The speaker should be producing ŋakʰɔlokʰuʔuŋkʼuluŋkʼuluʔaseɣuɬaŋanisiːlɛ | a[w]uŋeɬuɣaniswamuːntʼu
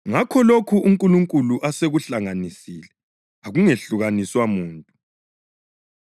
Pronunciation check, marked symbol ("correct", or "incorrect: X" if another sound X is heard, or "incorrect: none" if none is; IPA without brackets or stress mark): incorrect: ɣ